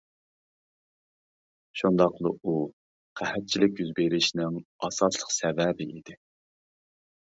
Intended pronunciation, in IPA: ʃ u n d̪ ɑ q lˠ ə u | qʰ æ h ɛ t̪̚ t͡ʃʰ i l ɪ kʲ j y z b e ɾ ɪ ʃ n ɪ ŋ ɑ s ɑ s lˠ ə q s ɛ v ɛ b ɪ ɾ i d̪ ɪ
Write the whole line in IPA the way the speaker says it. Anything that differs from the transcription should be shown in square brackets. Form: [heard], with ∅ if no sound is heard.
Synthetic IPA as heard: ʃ u n d̪ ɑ q lˠ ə u | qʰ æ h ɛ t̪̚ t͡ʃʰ i l ɪ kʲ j y z b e ɾ ɪ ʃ n ɪ ŋ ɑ s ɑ s lˠ ə q s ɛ v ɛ b ɪ [∅] i d̪ ɪ